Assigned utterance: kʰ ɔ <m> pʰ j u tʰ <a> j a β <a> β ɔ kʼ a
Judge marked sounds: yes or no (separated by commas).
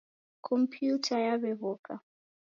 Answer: yes, yes, no